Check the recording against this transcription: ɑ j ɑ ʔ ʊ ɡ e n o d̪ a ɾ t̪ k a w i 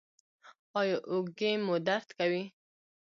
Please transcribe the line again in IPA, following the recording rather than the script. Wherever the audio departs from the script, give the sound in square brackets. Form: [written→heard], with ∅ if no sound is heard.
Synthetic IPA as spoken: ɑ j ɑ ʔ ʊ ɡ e [n→m] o d̪ a ɾ t̪ k a w i